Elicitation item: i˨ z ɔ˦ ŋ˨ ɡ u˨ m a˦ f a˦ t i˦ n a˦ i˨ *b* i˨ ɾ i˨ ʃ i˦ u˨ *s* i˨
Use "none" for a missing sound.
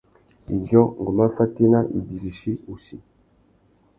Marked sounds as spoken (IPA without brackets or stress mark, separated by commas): b, s